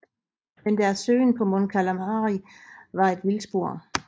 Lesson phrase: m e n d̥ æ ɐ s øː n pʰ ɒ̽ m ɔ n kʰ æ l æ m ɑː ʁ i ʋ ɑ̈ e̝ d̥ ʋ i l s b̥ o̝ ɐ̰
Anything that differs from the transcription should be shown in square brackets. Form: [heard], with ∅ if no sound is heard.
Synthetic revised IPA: m e n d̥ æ ɐ s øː n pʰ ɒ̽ m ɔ n kʰ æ l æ m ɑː ʁ i ʋ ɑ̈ e̝ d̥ ʋ i l s b̥ o̝ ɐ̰